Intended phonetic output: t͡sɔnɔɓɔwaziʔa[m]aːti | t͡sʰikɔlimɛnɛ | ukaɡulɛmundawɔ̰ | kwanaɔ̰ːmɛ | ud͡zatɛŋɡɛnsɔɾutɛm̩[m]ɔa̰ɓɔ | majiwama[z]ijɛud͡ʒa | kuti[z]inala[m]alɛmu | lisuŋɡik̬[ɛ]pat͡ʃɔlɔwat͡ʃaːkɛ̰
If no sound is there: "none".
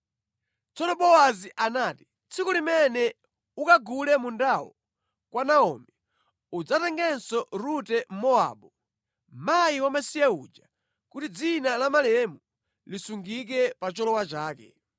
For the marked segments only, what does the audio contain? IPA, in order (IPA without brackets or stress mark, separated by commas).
n, m, s, d͡z, m, ɛ